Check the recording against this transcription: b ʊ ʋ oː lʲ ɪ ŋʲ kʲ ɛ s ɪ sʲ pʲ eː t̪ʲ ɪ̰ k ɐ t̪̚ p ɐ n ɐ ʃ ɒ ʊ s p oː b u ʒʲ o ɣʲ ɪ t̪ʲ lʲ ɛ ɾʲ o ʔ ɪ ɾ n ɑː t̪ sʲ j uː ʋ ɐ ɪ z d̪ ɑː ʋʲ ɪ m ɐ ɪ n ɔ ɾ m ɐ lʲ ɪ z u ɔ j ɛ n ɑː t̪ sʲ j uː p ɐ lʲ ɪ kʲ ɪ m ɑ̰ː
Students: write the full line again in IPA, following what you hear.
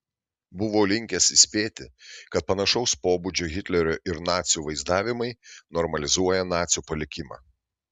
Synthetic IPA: b ʊ ʋ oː lʲ ɪ ŋʲ kʲ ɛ s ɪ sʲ pʲ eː t̪ʲ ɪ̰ k ɐ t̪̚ p ɐ n ɐ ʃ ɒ ʊ s p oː b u d͡ʒʲ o ɣʲ ɪ t̪ʲ lʲ ɛ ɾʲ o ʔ ɪ ɾ n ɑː t̪ sʲ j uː ʋ ɐ ɪ z d̪ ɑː ʋʲ ɪ m ɐ ɪ n ɔ ɾ m ɐ lʲ ɪ z u ɔ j ɛ n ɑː t̪ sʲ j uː p ɐ lʲ ɪ kʲ ɪ m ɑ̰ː

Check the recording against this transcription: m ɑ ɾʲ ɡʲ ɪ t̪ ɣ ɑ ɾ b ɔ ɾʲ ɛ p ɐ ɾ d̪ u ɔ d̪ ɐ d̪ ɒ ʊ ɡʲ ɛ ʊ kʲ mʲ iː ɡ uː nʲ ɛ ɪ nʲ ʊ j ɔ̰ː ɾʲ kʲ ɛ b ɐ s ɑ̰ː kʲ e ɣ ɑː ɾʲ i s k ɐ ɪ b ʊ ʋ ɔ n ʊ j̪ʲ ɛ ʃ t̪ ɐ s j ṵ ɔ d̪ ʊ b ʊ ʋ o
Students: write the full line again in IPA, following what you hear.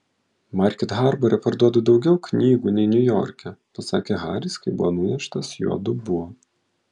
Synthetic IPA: m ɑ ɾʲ kʲ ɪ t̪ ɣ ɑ ɾ b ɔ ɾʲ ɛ p ɐ ɾ d̪ u ɔ d̪ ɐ d̪ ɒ ʊ ɡʲ ɛ ʊ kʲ nʲ iː ɡ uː nʲ ɛ ɪ nʲ ʊ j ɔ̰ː ɾʲ kʲ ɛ p ɐ s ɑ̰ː kʲ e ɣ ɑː ɾʲ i s k ɐ ɪ b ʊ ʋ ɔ n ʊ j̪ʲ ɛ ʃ t̪ ɐ s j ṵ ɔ d̪ ʊ b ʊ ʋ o

